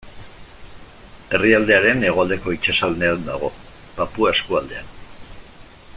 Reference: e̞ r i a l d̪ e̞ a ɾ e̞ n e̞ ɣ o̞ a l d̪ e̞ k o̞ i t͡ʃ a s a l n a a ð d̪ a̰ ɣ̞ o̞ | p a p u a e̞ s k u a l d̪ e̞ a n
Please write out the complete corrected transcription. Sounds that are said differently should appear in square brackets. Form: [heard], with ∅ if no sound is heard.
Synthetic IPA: e̞ r i a l d̪ e̞ a ɾ e̞ n e̞ ɣ o̞ a l d̪ e̞ k o̞ i t͡ʃ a s a l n [e] a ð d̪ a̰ ɣ̞ o̞ | p a p u a e̞ s k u a l d̪ e̞ a n